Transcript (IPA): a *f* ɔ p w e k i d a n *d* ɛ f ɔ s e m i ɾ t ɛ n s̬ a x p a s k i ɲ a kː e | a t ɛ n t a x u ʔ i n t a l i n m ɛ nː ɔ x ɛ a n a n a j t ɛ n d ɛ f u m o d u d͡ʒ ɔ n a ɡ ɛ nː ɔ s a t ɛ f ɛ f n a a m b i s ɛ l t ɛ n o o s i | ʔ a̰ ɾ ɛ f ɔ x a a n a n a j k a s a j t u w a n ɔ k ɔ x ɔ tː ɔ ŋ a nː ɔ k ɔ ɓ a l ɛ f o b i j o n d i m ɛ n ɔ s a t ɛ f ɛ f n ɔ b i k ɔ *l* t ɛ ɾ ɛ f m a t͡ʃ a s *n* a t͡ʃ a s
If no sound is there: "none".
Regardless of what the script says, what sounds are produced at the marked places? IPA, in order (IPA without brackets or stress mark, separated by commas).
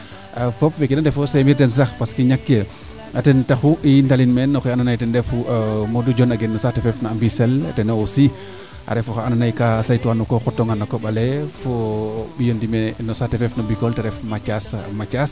f, d, l, m